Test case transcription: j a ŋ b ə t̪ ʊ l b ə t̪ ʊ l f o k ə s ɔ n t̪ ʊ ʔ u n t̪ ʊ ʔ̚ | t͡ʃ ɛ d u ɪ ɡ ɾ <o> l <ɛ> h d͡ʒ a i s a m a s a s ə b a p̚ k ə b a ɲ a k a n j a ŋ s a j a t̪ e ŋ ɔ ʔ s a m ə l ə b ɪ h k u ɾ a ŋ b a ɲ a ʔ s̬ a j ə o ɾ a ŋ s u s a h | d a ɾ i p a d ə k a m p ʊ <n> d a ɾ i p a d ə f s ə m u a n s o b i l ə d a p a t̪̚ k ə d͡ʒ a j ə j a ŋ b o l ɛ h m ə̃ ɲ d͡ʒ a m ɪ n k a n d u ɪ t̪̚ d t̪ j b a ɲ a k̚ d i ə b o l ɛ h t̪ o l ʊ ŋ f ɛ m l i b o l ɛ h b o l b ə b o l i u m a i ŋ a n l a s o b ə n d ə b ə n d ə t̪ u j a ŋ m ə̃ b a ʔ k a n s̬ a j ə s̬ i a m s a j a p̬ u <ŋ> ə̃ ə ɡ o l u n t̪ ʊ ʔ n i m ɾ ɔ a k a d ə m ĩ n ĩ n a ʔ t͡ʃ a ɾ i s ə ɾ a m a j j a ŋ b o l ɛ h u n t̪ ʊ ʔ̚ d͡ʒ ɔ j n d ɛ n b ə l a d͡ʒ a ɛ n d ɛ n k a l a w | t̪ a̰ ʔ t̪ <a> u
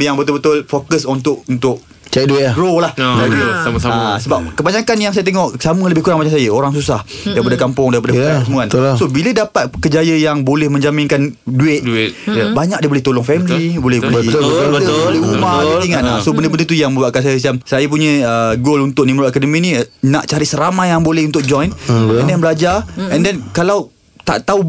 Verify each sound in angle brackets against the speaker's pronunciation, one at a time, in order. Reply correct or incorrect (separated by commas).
correct, incorrect, incorrect, incorrect, correct